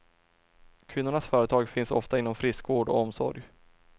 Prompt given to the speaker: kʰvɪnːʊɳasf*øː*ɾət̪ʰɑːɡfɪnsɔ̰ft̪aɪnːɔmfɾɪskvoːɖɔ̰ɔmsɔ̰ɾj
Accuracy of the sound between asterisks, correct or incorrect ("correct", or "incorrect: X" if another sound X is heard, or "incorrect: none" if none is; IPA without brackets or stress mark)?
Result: incorrect: œː